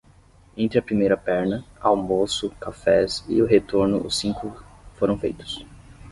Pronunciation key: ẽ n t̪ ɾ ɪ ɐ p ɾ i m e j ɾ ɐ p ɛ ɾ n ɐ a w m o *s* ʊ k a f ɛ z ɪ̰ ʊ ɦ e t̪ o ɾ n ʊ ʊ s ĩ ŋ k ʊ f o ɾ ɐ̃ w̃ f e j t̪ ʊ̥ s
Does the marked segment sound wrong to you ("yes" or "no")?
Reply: no